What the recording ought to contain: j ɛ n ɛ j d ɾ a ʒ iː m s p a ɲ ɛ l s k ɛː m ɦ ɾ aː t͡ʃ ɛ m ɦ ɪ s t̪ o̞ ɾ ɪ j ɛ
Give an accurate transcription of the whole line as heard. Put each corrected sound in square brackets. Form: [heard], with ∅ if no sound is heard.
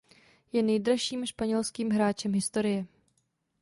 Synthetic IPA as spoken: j ɛ n ɛ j d ɾ a [ʃ] iː m [ʃ] p a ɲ ɛ l s k [iː] m ɦ ɾ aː t͡ʃ ɛ m ɦ ɪ s t̪ o̞ ɾ ɪ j ɛ